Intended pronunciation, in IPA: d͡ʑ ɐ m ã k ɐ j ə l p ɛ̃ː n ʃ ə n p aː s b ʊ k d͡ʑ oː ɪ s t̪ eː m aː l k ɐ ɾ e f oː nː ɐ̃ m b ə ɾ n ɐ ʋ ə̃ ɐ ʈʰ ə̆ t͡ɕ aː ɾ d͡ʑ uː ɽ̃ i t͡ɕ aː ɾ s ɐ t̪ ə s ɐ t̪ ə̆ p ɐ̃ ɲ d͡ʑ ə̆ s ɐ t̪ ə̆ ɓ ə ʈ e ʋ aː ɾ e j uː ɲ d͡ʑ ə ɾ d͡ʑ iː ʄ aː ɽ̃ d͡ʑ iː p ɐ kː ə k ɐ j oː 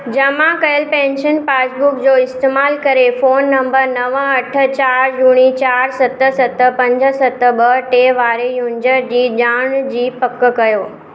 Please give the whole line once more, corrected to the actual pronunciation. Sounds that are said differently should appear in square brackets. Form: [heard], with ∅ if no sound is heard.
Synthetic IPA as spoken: d͡ʑ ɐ m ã k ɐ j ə l p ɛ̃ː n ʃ ə n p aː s b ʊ k d͡ʑ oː ɪ s t̪ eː m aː l k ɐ ɾ e f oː nː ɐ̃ m b ə ɾ n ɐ ʋ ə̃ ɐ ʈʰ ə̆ t͡ɕ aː ɾ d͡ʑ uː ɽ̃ i t͡ɕ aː ɾ s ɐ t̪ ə s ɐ t̪ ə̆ p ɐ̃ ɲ d͡ʑ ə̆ s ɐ t̪ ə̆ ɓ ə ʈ e ʋ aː ɾ e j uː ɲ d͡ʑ ə ɾ d͡ʑ iː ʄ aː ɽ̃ d͡ʑ iː p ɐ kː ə k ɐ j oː